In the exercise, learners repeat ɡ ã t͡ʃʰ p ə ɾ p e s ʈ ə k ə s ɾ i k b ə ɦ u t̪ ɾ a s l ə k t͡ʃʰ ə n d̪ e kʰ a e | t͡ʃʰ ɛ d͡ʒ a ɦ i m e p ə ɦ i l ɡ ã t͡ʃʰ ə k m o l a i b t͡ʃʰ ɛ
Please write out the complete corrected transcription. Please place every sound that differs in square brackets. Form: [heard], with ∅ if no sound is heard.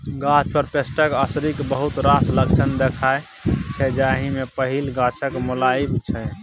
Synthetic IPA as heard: ɡ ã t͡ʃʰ p ə ɾ p e s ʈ ə k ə s ɾ i k b ə ɦ u t̪ ɾ a s l ə k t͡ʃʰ ə n d̪ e kʰ a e | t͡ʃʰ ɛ d͡ʒ a ɦ i m e p ə ɦ i l ɡ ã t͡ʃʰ ə k m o l a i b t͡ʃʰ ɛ